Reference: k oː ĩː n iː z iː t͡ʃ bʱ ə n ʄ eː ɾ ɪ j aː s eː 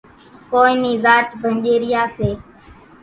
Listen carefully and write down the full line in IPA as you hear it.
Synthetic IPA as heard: k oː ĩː n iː z aː t͡ʃ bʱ ə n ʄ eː ɾ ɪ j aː s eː